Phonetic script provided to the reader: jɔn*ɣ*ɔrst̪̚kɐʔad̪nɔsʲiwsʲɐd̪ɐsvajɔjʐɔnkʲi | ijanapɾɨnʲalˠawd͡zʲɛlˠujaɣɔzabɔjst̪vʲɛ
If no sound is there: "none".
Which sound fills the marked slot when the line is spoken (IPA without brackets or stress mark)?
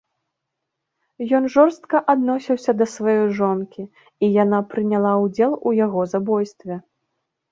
ʐ